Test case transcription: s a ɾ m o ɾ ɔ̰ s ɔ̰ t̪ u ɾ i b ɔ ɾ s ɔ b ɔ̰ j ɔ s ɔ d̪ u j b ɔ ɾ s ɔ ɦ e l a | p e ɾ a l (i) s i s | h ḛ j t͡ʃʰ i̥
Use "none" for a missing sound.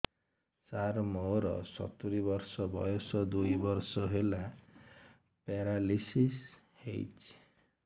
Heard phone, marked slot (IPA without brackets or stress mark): i